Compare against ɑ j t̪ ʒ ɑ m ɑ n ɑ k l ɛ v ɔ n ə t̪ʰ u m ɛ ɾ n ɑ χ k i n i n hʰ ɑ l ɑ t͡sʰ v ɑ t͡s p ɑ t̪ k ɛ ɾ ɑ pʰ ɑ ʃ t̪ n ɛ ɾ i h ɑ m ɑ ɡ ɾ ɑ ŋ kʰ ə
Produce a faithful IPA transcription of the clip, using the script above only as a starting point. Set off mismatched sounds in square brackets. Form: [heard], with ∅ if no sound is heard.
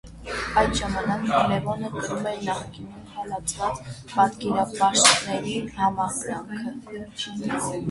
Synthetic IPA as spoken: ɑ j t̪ ʒ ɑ m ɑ n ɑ k l ɛ v ɔ n ə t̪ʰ u m ɛ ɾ n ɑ χ k i n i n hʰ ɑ l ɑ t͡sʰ v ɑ t͡s p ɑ t̪ k ɛ ɾ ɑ [p] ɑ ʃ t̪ n ɛ ɾ i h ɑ m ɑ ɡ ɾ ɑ ŋ kʰ ə